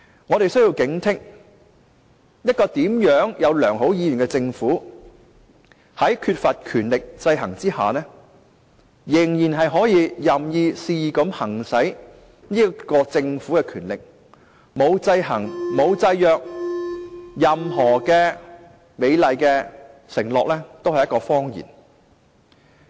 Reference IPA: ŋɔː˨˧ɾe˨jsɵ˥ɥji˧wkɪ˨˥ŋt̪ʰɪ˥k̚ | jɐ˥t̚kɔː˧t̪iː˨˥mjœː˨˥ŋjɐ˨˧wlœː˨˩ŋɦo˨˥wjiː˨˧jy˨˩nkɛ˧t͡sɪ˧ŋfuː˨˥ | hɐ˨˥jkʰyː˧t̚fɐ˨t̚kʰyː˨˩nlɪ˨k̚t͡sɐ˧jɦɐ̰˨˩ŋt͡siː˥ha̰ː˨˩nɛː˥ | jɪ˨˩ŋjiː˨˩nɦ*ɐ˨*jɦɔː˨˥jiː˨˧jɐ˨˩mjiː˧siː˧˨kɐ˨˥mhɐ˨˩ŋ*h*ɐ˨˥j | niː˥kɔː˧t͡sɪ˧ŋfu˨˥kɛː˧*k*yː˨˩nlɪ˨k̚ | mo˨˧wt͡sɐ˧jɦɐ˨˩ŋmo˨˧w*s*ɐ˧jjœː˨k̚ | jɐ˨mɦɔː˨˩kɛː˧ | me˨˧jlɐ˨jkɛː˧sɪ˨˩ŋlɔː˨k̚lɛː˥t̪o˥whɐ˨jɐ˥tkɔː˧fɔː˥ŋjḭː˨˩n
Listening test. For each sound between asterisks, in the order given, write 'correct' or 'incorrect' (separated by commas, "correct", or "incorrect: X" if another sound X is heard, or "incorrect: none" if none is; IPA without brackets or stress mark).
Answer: correct, incorrect: s, incorrect: kʰ, incorrect: t͡s